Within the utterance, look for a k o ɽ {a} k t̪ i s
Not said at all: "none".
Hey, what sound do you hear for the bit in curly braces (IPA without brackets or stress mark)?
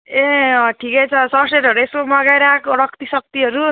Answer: ʌ